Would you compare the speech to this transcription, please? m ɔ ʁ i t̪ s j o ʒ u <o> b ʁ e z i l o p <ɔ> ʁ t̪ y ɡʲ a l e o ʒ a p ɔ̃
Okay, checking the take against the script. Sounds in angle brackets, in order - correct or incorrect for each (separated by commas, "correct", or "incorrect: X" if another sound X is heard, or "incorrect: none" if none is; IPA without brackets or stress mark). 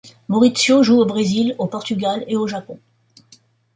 correct, correct